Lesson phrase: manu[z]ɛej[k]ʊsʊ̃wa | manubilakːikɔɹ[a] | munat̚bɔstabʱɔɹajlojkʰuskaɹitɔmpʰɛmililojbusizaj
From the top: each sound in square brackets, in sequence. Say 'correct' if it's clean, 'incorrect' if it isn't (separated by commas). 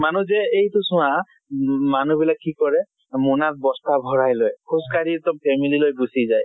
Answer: correct, incorrect, incorrect